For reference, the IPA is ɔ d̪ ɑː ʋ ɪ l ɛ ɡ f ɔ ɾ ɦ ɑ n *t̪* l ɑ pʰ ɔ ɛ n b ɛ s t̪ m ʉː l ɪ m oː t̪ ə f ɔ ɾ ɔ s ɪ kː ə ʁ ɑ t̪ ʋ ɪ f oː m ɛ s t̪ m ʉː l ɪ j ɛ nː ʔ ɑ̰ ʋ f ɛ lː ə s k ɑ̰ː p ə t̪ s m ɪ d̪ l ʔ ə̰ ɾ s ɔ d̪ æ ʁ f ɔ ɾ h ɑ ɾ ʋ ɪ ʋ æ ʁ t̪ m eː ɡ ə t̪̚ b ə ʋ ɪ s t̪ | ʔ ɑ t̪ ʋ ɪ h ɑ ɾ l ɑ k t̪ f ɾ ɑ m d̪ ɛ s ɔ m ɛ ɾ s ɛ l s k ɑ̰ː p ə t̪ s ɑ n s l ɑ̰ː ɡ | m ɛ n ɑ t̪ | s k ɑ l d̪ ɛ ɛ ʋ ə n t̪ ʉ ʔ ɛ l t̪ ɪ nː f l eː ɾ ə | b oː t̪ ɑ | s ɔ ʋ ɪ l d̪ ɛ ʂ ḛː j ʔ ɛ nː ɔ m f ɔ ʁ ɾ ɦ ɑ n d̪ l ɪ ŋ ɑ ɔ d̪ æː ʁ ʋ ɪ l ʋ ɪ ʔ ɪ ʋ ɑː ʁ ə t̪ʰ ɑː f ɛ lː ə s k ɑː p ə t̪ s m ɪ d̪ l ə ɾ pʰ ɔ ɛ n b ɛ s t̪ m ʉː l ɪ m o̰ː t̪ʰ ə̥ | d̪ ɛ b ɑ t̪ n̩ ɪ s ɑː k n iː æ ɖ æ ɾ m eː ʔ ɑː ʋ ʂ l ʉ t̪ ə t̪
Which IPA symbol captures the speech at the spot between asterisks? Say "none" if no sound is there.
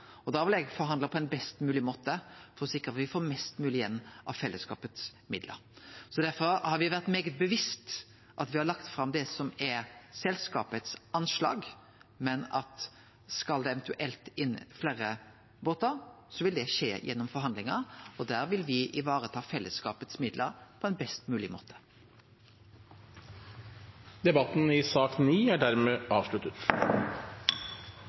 d̪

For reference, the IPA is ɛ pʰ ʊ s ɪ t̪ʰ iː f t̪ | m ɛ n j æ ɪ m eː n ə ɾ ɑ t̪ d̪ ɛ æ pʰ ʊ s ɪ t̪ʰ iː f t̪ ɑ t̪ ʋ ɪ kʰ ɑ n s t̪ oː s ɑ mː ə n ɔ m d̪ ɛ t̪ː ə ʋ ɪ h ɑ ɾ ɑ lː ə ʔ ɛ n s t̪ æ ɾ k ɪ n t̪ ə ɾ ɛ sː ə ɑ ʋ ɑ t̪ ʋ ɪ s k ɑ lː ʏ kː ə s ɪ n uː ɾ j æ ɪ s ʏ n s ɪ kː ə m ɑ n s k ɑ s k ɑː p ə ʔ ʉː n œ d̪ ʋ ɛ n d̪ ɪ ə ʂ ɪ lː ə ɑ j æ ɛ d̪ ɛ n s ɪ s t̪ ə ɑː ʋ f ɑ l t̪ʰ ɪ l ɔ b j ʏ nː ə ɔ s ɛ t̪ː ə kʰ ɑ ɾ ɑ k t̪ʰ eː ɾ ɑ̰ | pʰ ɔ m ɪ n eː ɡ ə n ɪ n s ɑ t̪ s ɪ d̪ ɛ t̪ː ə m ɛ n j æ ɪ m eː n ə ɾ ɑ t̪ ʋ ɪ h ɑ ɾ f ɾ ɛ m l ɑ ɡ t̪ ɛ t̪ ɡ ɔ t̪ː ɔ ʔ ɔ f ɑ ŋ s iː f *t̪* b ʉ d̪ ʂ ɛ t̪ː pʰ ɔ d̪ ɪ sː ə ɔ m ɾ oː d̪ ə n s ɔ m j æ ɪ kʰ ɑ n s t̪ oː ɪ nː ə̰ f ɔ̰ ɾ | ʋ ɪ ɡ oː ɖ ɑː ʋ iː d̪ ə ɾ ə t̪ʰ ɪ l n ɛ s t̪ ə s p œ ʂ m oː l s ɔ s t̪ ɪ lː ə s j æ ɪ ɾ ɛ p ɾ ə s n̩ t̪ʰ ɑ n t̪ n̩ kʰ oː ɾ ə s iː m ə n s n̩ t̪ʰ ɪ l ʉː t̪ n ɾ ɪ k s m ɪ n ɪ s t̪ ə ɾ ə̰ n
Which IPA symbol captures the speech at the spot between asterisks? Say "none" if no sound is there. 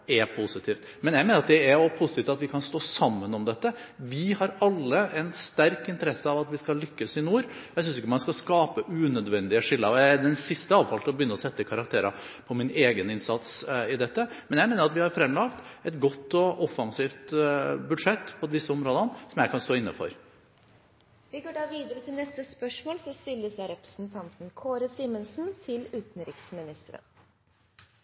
t̪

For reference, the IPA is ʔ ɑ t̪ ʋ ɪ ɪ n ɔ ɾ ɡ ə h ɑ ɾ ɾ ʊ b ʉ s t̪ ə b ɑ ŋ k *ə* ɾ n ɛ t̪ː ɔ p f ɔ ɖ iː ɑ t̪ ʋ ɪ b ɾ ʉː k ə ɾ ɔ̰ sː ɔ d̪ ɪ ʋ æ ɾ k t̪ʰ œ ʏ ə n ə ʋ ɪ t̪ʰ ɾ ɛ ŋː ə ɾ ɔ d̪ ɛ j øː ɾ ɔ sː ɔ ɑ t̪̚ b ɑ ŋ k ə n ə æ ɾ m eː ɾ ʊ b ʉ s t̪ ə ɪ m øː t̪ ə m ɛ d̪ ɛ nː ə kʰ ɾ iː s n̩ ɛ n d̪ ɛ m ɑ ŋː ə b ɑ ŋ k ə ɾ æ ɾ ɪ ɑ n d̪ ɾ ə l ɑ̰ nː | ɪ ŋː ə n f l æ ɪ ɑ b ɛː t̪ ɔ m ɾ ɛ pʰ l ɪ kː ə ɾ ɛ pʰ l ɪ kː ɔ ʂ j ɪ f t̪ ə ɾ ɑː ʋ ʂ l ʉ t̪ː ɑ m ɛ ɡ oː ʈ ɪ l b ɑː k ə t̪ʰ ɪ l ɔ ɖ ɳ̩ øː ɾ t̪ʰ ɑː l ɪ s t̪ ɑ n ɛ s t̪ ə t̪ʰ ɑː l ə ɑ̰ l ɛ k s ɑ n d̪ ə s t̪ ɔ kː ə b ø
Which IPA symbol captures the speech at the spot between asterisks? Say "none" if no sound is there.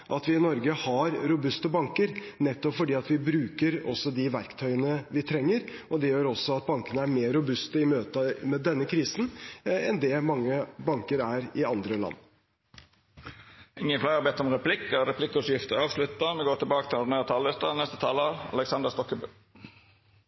ə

